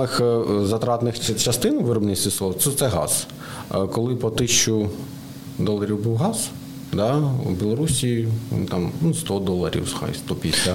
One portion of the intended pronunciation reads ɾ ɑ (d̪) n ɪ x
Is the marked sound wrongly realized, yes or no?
yes